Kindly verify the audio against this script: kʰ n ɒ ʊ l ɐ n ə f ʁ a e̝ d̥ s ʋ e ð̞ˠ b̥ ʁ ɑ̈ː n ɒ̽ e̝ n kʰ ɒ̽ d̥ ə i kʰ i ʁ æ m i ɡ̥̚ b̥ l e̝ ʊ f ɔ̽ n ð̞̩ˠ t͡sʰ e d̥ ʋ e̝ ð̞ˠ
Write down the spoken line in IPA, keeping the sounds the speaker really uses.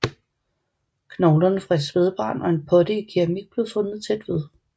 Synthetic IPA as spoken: kʰ n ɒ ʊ l ɐ n ə f ʁ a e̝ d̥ s ʋ e ð̞ˠ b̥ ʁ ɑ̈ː n ɒ̽ e̝ n pʰ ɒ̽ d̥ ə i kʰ i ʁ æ m i ɡ̥̚ b̥ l e̝ ʊ f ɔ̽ n ð̞̩ˠ t͡sʰ e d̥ ʋ e̝ ð̞ˠ